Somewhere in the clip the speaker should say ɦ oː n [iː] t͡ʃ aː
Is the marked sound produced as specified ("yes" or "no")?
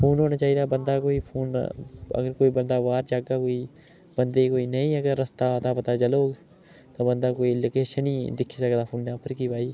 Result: no